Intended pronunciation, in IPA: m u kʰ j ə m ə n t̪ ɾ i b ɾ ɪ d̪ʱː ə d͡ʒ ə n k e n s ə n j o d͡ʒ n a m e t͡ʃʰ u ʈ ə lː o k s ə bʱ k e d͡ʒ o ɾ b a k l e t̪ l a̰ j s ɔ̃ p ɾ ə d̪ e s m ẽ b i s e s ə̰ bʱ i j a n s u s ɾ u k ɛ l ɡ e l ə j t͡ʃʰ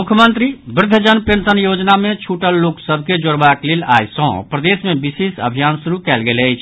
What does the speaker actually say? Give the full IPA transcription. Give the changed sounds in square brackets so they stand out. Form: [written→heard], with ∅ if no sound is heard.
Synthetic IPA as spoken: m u kʰ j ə m ə n t̪ ɾ i b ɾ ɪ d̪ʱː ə d͡ʒ ə n [k→p] e n s ə n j o d͡ʒ n a m e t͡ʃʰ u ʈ ə lː o k s ə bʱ k e d͡ʒ o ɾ b a k l e [t̪→∅] l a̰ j s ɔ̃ p ɾ ə d̪ e s m [ẽ→e] b i s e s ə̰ bʱ i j a n s u [s→∅] ɾ u k ɛ l ɡ e l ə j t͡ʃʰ